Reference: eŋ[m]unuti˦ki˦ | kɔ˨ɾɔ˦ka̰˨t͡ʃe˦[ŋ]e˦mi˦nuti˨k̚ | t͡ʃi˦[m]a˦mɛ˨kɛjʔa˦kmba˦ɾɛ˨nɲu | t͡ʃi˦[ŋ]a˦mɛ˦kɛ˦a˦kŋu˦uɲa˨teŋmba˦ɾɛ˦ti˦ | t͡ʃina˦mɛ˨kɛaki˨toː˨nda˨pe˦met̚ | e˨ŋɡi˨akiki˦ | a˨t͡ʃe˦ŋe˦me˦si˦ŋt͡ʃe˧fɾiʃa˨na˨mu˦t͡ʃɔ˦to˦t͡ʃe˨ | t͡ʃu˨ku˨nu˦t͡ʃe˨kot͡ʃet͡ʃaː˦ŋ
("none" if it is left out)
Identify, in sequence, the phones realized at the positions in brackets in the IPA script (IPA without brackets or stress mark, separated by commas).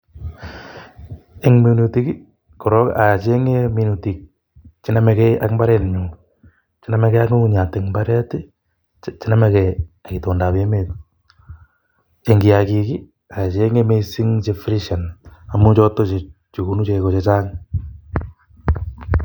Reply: m, ŋ, n, n